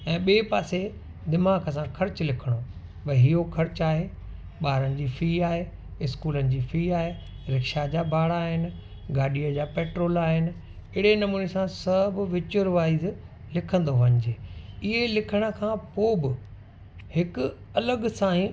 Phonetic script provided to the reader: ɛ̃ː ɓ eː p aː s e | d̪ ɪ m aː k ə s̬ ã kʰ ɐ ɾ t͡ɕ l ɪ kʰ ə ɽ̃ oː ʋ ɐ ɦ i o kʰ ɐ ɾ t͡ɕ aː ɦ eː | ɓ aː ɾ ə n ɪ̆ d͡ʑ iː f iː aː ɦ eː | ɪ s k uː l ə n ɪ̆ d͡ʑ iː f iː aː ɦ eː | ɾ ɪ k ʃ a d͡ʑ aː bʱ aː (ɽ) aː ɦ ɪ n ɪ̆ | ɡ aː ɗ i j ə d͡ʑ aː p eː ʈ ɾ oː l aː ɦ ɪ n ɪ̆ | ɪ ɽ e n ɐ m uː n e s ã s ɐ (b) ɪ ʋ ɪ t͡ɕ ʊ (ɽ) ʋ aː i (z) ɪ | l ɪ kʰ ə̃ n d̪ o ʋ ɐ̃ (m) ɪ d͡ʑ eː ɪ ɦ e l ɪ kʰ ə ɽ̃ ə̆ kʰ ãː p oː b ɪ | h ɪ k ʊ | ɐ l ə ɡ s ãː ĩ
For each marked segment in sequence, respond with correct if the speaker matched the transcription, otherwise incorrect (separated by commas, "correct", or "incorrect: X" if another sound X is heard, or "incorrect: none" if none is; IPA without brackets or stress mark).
correct, correct, incorrect: ɾ, correct, incorrect: ɲ